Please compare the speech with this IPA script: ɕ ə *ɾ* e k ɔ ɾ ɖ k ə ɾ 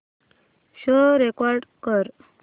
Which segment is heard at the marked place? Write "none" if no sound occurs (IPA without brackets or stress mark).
ɾ